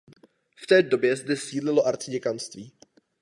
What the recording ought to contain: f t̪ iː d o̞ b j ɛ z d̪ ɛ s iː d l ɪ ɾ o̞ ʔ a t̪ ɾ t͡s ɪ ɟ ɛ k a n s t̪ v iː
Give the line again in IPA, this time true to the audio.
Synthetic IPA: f t̪ ɛː d o̞ b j ɛ z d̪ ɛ s iː d l ɪ l o̞ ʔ a ɾ t͡s ɪ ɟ ɛ k a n s t̪ v iː